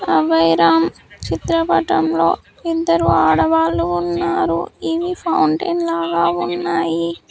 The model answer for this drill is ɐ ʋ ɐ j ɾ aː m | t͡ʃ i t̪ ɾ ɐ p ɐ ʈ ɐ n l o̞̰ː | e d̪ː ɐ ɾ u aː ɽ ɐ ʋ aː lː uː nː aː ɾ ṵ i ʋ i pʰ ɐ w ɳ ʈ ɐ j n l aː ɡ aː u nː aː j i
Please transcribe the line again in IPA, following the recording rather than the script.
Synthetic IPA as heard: ɐ ʋ ɐ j ɾ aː m | t͡ʃ i t̪ ɾ ɐ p ɐ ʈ ɐ m l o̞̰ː | i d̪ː ɐ ɾ u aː ɽ ɐ ʋ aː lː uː nː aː ɾ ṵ i ʋ i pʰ ɐ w ɳ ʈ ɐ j n l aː ɡ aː u nː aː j i